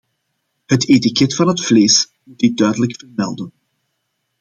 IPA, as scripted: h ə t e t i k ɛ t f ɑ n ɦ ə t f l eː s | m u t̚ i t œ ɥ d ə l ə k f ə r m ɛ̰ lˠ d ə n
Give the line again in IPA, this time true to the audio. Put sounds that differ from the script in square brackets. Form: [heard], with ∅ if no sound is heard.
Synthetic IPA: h ə t e t i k ɛ t f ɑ n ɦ ə t f l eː s | m u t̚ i [d] œ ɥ d ə l ə k f ə r m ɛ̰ lˠ d ə n